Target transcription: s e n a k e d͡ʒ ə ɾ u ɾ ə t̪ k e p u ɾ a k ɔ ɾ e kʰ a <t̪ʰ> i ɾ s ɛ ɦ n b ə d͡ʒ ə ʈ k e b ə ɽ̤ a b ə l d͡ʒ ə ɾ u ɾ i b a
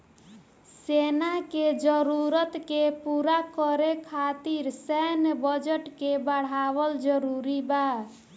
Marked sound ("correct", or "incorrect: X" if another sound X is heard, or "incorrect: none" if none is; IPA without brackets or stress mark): incorrect: t̪